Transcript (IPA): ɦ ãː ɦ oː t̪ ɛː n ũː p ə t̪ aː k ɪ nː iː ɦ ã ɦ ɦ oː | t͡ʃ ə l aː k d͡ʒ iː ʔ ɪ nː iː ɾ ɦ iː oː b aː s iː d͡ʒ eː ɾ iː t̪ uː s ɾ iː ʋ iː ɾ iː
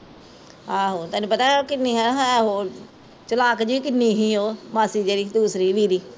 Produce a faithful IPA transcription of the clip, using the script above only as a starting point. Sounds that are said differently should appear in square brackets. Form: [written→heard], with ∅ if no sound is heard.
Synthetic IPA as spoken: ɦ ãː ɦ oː t̪ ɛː n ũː p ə t̪ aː k ɪ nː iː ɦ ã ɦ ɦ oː | t͡ʃ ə l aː k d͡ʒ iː [ʔ→k] ɪ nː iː [ɾ→∅] ɦ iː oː [b→m] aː s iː d͡ʒ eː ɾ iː [t̪→d̪] uː s ɾ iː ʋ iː ɾ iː